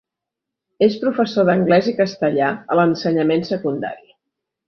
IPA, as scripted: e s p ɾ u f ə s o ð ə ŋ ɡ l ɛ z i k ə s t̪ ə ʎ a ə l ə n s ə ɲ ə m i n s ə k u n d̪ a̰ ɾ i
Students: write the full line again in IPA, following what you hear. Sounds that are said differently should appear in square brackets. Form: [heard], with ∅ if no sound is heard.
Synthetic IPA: e s p ɾ u f ə s o ð ə ŋ ɡ l ɛ z i k ə s t̪ ə ʎ a ə l ə n s ə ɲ ə m [e] n s ə k u n d̪ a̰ ɾ i